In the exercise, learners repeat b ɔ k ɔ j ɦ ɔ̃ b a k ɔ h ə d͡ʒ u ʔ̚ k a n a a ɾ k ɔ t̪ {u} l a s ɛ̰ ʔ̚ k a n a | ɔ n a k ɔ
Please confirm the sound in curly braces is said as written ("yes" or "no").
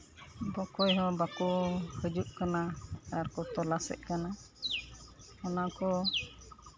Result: no